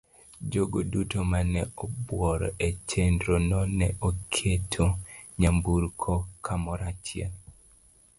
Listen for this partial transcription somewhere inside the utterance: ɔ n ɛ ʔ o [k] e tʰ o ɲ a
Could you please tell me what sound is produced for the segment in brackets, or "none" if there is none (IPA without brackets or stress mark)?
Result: kʰ